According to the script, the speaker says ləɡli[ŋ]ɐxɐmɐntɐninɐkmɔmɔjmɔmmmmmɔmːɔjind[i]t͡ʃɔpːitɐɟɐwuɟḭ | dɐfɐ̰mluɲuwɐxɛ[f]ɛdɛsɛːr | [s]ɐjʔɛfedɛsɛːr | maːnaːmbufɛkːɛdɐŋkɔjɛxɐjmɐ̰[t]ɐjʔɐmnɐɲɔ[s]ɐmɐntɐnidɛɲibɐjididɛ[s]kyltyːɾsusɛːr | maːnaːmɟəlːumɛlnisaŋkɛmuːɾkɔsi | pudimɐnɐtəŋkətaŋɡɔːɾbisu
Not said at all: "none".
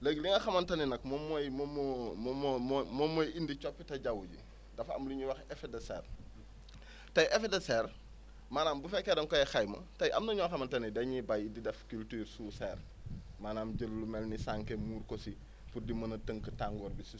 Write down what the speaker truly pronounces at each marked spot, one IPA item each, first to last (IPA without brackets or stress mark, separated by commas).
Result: ŋ, i, f, t, t, x, f